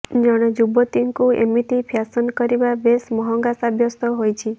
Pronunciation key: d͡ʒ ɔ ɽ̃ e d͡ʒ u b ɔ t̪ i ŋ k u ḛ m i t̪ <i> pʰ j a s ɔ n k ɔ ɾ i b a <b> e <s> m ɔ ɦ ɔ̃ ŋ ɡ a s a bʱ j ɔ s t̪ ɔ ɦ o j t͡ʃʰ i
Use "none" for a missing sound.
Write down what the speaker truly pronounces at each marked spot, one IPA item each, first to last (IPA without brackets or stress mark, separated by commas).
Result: i, b, s